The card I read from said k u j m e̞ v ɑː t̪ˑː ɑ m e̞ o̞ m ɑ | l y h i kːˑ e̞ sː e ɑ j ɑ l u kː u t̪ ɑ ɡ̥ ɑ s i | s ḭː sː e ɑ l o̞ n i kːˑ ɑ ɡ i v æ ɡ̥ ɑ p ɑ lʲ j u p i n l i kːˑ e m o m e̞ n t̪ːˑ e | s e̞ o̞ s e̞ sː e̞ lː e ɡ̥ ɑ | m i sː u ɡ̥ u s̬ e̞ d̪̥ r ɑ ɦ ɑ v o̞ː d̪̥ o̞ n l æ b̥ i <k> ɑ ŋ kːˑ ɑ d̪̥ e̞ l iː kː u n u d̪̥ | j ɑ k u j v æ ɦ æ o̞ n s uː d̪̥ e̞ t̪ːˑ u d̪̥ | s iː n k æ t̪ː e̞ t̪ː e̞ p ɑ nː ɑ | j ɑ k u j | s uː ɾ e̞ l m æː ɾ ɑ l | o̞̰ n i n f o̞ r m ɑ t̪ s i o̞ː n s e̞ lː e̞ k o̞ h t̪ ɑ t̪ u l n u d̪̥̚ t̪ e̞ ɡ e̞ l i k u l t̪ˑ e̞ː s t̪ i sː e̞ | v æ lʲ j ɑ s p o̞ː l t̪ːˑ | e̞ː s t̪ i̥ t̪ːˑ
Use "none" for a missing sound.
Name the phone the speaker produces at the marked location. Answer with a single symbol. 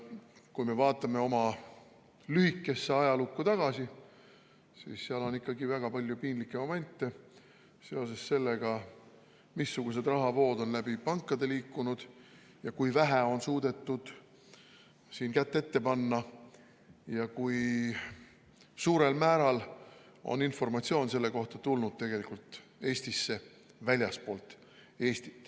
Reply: p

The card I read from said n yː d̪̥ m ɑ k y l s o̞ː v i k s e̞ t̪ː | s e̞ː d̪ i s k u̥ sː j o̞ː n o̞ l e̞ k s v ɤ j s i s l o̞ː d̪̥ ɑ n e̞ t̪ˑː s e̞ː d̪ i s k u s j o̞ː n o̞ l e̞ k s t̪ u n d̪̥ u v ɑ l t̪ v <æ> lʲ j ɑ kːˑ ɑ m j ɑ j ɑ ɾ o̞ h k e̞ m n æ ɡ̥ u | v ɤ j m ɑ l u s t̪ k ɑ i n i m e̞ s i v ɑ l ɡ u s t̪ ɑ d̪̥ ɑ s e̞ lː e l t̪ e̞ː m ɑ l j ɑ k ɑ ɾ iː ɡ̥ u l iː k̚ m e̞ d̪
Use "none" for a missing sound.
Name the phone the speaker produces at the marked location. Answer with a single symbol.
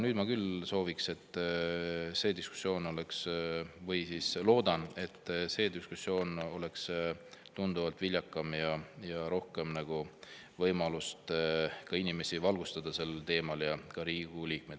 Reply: i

